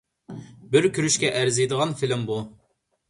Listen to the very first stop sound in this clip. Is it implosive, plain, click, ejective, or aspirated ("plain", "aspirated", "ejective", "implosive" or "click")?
plain